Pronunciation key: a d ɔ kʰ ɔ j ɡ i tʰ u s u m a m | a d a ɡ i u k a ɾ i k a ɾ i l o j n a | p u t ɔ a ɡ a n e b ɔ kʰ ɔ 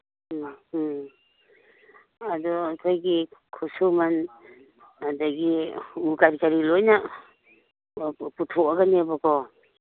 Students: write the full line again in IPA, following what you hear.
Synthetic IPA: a d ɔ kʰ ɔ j ɡ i kʰ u s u m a n | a d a ɡ i u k a ɾ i k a ɾ i l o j n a | p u tʰ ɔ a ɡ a n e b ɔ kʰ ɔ